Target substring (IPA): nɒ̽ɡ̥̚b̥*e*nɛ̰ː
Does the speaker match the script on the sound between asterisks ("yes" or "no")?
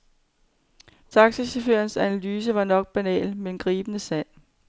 no